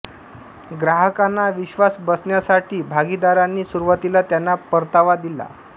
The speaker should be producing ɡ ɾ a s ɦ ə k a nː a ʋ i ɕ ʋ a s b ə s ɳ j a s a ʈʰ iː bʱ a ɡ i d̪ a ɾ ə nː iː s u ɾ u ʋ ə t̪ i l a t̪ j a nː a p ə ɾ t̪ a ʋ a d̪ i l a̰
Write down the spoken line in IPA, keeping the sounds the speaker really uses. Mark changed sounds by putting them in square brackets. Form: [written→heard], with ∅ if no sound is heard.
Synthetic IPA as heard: ɡ ɾ a [s→∅] ɦ ə k a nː a ʋ i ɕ ʋ a s b ə s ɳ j a s a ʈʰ iː bʱ a ɡ i d̪ a ɾ [ə→a] nː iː s u ɾ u ʋ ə t̪ i l a t̪ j a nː a p ə ɾ t̪ a ʋ a d̪ i l a̰